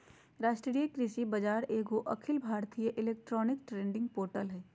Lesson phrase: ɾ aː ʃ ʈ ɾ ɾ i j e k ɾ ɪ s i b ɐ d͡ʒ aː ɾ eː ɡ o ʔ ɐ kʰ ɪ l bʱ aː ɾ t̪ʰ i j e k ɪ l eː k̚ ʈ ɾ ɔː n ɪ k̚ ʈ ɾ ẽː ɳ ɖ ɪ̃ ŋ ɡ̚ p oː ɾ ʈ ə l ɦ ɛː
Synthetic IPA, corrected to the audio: ɾ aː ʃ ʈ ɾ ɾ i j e k ɾ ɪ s i b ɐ d͡ʒ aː ɾ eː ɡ o ʔ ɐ kʰ ɪ l bʱ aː ɾ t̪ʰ i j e ʔ ɪ l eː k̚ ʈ ɾ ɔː n ɪ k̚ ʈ ɾ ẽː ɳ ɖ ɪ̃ ŋ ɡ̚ p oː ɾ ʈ ə l ɦ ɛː

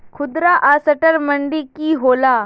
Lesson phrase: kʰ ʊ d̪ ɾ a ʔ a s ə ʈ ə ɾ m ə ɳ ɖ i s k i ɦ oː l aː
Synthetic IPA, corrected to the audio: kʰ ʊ d̪ ɾ a ʔ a s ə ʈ ə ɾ m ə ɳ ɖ i k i ɦ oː l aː

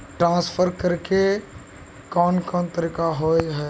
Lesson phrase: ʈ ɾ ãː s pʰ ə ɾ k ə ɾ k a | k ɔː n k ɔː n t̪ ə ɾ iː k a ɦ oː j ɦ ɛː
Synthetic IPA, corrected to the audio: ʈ ɾ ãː s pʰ ə ɾ k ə ɾ k e | k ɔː n k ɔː n t̪ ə ɾ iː k a ɦ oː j ɦ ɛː

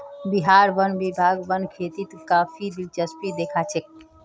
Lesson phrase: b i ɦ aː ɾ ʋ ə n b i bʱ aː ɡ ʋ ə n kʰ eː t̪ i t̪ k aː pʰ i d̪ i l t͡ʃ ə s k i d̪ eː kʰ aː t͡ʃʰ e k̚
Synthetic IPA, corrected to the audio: b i ɦ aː ɾ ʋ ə n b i bʱ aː ɡ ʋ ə n kʰ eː t̪ i t̪ k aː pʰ i d̪ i l t͡ʃ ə s p i d̪ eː kʰ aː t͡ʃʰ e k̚

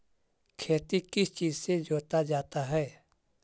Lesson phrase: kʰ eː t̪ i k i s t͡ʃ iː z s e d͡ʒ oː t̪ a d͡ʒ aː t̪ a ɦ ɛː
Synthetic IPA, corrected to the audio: kʰ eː t̪ i k ɪ s t͡ʃ iː z s e d͡ʒ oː t̪ a d͡ʒ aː t̪ a ɦ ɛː

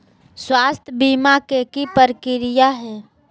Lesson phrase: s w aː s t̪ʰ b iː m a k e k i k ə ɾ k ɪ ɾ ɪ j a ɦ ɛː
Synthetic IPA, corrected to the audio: s w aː s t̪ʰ b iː m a k e k i p ə ɾ k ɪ ɾ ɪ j a ɦ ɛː

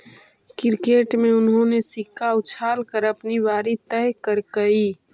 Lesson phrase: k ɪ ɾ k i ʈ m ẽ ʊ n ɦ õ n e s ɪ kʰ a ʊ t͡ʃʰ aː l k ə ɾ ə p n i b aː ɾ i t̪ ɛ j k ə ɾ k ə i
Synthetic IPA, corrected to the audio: k ɪ ɾ k e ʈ m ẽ ʊ n ɦ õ n e s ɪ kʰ a ʊ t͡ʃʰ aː l k ə ɾ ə p n i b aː ɾ i t̪ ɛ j k ə ɾ k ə i

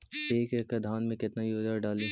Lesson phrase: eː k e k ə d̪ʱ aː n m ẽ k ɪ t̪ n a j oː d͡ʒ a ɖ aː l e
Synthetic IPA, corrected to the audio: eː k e k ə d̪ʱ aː n m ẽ k ɪ t̪ n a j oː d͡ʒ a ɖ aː l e

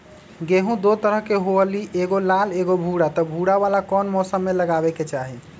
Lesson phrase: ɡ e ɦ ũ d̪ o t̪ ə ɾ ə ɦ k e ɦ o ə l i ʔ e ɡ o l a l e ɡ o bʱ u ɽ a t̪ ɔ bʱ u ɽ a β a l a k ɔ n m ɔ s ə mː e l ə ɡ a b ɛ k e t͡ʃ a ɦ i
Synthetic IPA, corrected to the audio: ɡ e ɦ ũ d̪ o t̪ ə ɾ ə ɦ k e ɦ o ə l i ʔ e ɡ o l a l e ɡ o bʱ u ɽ a t̪ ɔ bʱ u ɽ a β a l a k ɔ n m ɔ s ə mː e l ə ɡ a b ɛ k e t͡ʃ a ɦ i

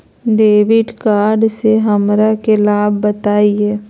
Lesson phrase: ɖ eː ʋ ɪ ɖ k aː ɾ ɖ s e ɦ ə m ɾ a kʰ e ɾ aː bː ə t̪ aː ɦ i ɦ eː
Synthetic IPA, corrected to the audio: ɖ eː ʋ ɪ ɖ k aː ɾ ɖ s e ɦ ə m ɾ a k e l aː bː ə t̪ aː i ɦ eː

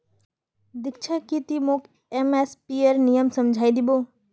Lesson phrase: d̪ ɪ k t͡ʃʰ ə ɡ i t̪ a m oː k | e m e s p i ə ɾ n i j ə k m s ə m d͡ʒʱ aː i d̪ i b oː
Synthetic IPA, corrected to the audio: d̪ ɪ k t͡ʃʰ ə k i t̪ i m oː k | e m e s p i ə ɾ n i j ə m s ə m d͡ʒʱ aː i d̪ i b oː

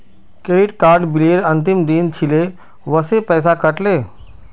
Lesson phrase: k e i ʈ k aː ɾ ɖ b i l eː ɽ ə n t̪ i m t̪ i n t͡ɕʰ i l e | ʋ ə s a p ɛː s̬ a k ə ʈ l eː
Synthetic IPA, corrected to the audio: k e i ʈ k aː ɾ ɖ b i l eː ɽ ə n t̪ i m d̪ i n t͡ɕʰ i l e | ʋ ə s e p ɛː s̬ a k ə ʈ l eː

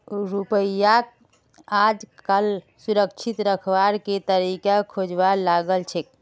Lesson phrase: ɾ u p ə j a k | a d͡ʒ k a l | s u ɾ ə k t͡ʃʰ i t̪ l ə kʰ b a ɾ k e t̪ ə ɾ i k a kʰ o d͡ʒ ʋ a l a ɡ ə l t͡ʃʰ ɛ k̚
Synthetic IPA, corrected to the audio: ɾ u p ə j a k | a d͡ʒ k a l | s u ɾ ə k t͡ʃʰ i t̪ ɾ ə kʰ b a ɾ k e t̪ ə ɾ i k a kʰ o d͡ʒ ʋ a l a ɡ ə l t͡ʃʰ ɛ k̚

